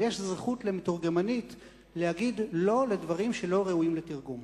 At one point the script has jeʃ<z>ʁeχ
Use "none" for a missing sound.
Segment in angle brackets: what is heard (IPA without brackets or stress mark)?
z